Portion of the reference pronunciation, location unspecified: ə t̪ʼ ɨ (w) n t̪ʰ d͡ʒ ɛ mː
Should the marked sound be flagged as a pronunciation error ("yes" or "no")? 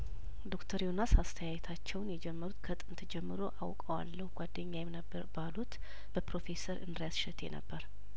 yes